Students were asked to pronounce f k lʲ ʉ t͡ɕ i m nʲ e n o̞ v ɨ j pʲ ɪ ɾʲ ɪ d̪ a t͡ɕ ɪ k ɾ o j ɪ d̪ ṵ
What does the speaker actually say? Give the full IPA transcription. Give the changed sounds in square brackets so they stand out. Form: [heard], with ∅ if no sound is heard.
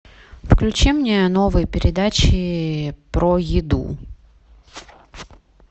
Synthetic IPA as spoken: f k lʲ ʉ t͡ɕ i m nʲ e n o̞ v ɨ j pʲ ɪ ɾʲ ɪ d̪ a t͡ɕ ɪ [p] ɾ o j ɪ d̪ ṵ